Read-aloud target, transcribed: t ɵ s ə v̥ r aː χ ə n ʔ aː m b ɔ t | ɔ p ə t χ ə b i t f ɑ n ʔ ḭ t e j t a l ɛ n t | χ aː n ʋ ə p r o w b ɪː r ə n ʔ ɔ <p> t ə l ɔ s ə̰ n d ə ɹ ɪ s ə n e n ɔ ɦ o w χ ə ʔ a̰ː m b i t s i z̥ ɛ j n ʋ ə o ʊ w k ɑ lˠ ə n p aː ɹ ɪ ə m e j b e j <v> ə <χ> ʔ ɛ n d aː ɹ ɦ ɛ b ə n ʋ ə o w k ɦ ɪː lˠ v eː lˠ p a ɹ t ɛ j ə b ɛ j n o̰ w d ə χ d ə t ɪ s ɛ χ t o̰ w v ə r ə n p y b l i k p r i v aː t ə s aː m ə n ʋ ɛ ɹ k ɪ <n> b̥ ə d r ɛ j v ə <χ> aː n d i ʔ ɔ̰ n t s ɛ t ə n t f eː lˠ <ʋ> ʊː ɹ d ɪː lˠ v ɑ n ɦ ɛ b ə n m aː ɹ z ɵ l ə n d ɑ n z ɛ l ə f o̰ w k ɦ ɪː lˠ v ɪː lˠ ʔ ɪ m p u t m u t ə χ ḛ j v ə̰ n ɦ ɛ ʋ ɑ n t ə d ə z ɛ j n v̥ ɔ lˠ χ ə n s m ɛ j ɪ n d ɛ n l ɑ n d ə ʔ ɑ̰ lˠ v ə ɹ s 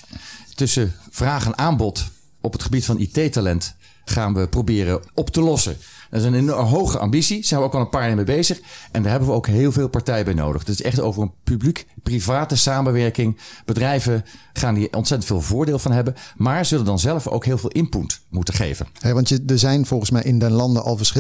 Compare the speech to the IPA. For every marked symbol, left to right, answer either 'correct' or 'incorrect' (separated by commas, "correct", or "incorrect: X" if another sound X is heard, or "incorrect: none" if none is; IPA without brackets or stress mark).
correct, incorrect: z, correct, incorrect: ŋ, correct, incorrect: v